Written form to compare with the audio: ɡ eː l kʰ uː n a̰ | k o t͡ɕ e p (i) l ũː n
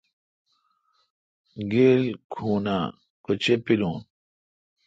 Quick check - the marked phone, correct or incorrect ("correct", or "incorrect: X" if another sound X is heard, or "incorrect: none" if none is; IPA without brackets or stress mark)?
correct